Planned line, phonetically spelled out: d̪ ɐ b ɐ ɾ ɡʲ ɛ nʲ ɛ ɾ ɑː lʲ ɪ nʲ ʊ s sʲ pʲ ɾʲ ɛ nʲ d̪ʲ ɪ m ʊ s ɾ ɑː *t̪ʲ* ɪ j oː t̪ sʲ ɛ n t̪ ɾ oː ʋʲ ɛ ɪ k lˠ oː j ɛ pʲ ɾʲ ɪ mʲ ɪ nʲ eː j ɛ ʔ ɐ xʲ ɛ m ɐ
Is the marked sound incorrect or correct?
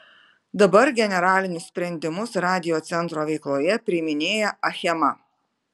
incorrect